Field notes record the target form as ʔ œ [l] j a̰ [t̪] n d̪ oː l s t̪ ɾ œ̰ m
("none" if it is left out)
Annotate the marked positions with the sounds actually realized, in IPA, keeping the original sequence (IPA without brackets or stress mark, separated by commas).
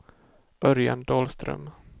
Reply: ɾ, none